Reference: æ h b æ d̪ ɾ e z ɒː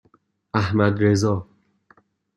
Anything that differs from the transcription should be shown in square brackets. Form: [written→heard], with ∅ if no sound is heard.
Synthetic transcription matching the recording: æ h [b→m] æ d̪ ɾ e z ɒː